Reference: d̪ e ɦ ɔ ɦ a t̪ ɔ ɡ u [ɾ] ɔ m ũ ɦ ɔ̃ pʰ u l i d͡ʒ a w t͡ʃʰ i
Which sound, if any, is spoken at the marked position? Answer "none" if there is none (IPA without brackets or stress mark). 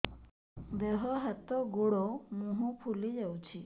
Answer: ɽ